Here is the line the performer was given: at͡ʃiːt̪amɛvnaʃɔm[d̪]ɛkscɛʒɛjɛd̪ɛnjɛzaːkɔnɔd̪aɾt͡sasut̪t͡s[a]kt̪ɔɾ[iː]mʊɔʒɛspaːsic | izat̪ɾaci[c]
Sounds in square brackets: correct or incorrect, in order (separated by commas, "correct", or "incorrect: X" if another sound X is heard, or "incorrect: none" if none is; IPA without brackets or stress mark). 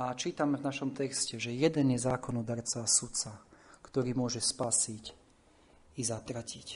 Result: incorrect: t̪, correct, correct, correct